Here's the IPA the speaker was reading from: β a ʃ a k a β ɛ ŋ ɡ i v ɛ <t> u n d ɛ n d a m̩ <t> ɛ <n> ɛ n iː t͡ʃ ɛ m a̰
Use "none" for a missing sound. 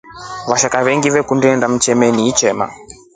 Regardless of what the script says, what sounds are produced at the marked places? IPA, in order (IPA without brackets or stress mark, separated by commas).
k, t͡ʃ, m